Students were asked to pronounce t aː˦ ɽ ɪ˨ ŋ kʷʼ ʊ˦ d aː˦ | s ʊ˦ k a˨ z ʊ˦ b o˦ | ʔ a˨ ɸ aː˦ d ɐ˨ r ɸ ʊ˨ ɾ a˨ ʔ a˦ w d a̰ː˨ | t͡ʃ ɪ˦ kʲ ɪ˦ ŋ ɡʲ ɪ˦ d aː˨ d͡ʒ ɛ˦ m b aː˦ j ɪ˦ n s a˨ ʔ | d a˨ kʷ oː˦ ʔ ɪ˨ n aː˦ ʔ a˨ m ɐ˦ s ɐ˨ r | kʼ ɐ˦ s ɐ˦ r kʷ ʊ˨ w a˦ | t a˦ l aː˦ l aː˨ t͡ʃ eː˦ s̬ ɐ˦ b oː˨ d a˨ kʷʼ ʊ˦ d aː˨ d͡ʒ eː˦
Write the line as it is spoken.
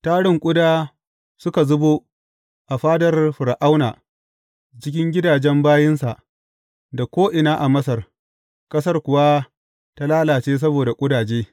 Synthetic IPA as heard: t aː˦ ɽ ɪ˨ ŋ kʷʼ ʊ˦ d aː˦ | s ʊ˦ k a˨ z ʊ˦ b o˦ | ʔ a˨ ɸ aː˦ d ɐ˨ r ɸ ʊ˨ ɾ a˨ ʔ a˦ w n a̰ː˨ | t͡ʃ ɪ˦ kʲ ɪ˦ ŋ ɡʲ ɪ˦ d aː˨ d͡ʒ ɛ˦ m b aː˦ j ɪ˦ n s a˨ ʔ | d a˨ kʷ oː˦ ʔ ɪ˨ n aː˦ ʔ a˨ m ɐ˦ s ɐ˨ r | kʼ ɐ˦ s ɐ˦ r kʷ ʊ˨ w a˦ | t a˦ l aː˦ l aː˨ t͡ʃ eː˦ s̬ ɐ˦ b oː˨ d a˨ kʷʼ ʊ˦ d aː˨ d͡ʒ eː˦